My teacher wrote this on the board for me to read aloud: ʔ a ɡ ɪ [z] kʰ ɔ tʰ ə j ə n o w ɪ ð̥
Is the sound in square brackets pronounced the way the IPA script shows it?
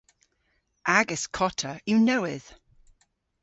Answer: no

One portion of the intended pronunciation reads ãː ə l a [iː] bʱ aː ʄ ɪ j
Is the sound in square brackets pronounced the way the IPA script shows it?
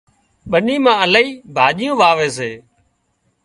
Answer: yes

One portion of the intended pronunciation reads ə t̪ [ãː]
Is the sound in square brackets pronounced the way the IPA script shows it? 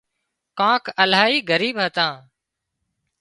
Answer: yes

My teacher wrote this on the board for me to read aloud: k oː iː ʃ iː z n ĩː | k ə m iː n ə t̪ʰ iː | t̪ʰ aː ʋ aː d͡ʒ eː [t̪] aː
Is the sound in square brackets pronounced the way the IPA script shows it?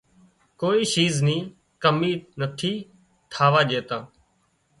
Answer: yes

